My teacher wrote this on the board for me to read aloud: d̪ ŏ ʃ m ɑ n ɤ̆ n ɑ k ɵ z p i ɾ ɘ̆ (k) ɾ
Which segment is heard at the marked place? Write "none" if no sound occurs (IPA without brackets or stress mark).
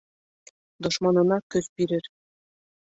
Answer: none